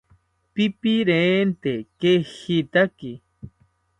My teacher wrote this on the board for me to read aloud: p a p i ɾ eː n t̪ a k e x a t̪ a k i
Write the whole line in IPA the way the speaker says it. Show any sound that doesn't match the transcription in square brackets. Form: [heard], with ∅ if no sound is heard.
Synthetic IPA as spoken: p [i] p i ɾ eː n t̪ [e] k e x [i] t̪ a k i